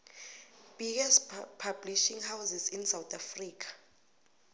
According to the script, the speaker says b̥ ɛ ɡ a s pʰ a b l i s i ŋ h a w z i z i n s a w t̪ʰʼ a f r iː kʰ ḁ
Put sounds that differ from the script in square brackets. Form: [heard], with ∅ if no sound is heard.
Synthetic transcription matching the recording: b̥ [i] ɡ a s pʰ a b l i [ʃ] i ŋ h a w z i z i n s a w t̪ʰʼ a f r iː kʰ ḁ